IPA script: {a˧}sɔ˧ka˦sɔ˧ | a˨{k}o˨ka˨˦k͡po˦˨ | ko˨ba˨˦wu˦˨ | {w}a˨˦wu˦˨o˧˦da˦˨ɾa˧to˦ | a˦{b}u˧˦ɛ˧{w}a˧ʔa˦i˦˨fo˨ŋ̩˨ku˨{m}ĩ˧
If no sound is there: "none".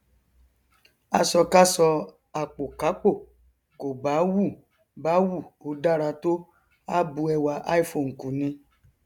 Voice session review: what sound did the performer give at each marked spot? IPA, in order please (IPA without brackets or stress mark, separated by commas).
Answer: a˧, k͡p, b, b, w, n